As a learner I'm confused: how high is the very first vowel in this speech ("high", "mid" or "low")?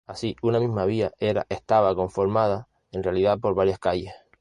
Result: low